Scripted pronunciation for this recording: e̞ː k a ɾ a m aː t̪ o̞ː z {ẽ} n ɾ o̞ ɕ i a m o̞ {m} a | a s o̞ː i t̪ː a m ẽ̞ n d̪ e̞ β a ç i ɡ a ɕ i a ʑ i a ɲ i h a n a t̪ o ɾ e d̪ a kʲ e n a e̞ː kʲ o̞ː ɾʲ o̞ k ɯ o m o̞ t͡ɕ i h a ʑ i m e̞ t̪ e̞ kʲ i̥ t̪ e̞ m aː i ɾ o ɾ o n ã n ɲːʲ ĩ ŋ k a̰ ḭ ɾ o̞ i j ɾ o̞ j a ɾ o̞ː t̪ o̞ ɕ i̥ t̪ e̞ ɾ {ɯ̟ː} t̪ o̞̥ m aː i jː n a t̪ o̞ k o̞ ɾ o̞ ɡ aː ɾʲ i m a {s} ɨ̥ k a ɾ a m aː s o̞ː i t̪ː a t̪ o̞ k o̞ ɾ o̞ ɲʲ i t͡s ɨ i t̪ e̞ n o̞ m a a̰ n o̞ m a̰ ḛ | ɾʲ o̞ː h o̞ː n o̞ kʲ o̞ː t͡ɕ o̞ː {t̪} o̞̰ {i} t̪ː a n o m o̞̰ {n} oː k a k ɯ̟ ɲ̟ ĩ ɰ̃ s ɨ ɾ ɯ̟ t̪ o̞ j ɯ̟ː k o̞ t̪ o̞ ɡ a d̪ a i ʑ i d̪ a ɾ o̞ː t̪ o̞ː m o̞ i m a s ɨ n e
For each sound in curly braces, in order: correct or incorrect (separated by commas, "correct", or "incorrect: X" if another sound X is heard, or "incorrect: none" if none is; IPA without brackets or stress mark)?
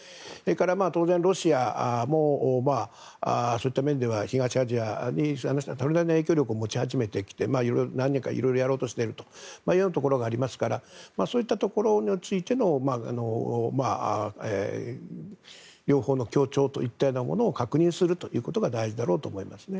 correct, correct, incorrect: ɯ̟, correct, correct, correct, correct